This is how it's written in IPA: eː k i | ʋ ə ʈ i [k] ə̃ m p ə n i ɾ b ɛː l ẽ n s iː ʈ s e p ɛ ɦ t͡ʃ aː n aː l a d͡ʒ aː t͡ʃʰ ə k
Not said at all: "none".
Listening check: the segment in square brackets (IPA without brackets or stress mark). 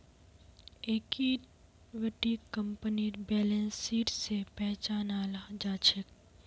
k